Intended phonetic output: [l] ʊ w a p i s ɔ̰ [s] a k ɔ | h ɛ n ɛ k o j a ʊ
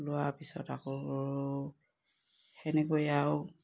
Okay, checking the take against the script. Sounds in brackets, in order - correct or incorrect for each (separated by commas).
correct, incorrect